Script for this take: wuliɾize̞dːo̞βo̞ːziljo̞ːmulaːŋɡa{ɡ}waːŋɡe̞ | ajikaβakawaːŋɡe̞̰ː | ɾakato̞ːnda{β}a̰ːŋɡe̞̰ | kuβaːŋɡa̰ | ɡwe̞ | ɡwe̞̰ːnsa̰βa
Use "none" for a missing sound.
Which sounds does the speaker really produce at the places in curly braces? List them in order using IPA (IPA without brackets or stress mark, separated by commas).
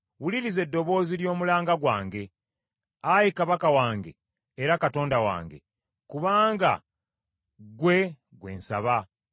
ɡ, w